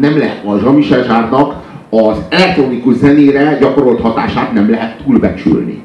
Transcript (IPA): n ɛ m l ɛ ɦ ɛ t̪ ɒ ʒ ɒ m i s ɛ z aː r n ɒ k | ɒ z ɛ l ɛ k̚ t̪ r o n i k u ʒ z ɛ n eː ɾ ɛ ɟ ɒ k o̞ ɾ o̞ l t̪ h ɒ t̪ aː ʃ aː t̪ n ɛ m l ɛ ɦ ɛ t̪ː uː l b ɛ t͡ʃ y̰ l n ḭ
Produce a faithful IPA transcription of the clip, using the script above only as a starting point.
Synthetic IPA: n ɛ m l ɛ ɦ ɛ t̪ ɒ ʒ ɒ m i ʃ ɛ ʒ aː r n ɒ k | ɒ z ɛ l ɛ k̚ t̪ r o n i k u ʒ z ɛ n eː ɾ ɛ ɟ ɒ k o̞ ɾ o̞ l t̪ h ɒ t̪ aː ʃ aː t̪ n ɛ m l ɛ ɦ ɛ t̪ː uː l b ɛ t͡ʃ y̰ l n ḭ